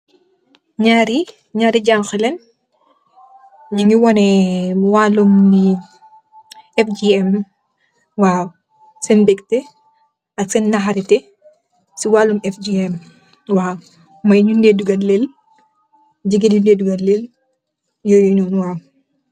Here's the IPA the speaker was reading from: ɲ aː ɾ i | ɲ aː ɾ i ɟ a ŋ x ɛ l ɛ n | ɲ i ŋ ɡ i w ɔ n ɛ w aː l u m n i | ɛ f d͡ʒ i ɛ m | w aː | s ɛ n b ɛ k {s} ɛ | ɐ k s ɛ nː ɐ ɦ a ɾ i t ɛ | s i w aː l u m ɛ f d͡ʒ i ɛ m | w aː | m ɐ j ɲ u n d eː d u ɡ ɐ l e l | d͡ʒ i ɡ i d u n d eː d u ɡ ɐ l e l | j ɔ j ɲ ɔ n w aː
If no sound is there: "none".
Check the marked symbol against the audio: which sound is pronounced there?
t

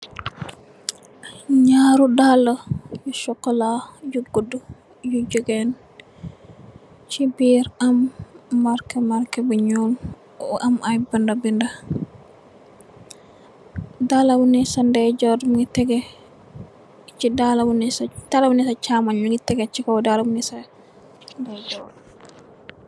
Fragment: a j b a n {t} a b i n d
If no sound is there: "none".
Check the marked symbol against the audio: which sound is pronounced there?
d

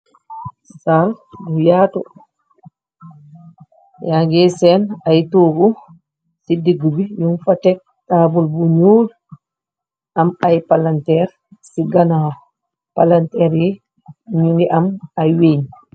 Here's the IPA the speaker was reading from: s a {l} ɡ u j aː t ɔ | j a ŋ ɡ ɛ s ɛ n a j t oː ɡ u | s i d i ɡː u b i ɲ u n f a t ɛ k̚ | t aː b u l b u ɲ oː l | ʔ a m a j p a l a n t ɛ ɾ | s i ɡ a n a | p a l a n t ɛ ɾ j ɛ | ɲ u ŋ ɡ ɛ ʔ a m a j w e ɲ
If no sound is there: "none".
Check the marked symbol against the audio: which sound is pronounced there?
l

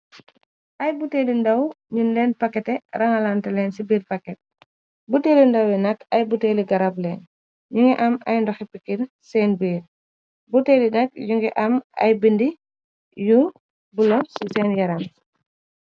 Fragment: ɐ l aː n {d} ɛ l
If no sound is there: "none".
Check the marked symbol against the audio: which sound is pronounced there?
t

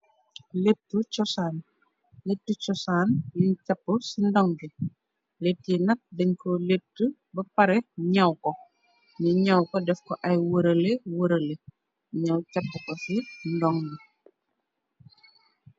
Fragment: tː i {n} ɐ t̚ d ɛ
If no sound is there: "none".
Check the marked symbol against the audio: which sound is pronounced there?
n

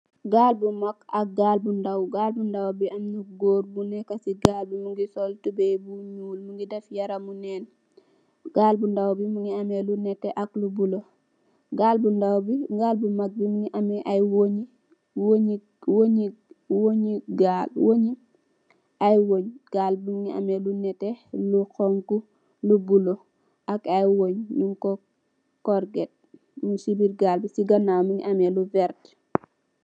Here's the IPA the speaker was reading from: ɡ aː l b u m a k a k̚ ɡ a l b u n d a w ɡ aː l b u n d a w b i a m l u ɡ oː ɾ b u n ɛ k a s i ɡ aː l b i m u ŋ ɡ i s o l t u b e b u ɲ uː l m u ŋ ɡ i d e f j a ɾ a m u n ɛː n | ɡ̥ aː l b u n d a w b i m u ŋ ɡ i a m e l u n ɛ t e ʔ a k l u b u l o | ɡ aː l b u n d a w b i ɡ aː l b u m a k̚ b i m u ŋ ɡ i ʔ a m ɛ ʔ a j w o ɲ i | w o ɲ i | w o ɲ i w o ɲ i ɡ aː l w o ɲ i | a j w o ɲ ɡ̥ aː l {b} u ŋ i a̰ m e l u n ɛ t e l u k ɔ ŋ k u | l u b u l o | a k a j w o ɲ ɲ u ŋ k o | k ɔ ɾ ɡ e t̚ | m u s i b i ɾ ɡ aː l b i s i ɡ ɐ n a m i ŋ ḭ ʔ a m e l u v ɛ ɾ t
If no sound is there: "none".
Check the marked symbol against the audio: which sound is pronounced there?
b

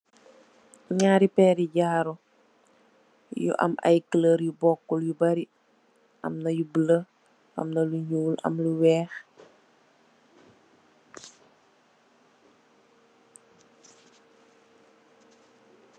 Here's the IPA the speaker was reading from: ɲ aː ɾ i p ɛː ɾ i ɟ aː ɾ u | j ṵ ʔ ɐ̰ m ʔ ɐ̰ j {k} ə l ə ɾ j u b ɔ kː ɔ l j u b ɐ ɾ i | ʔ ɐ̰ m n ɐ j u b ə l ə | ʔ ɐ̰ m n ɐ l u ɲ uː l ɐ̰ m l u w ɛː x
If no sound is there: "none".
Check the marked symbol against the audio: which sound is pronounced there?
k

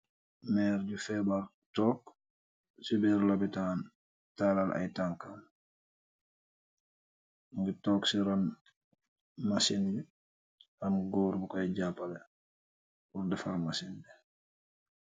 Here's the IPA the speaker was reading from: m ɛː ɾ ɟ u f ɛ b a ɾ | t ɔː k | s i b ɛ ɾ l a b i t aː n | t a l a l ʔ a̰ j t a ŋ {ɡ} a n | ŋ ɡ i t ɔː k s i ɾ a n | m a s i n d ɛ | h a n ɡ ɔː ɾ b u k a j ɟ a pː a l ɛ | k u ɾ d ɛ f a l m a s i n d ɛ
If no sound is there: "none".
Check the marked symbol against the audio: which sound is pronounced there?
k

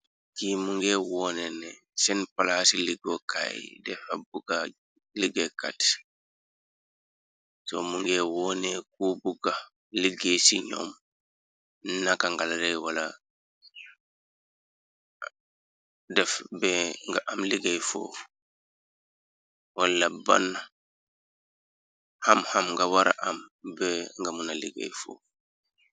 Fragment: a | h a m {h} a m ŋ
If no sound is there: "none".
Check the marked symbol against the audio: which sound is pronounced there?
h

